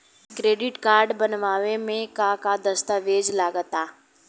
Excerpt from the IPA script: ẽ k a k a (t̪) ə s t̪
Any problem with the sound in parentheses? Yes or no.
yes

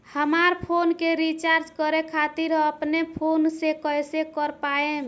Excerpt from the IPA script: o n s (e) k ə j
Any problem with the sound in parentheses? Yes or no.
no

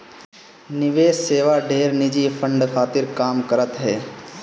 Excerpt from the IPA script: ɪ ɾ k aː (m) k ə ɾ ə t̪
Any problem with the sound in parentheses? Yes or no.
no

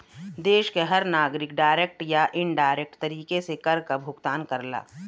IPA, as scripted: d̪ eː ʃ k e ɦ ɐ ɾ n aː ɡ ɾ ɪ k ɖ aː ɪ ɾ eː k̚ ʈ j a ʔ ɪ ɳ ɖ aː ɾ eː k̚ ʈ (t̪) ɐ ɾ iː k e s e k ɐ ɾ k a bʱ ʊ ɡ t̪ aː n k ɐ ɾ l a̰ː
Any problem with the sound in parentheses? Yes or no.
no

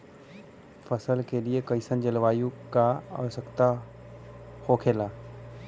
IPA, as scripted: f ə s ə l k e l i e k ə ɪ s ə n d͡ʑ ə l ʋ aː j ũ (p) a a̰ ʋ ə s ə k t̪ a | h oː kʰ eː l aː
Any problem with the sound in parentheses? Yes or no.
yes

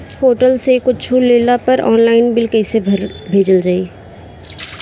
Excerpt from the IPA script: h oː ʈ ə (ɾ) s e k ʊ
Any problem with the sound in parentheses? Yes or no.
yes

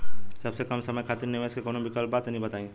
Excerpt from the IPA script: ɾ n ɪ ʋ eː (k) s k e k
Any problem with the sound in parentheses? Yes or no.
yes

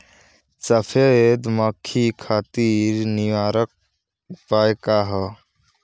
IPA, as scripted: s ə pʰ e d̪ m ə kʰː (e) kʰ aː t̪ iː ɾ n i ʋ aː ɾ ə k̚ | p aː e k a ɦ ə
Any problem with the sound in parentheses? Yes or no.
yes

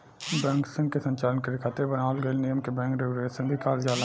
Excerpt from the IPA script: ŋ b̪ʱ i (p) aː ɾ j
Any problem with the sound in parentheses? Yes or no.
yes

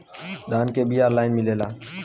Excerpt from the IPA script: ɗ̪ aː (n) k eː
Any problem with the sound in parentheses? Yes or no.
no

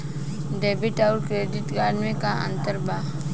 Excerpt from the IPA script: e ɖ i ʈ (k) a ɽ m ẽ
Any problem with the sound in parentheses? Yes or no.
yes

